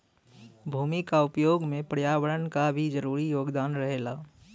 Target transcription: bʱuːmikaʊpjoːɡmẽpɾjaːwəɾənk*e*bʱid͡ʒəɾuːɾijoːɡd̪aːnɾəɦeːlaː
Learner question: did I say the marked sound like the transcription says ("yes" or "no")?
no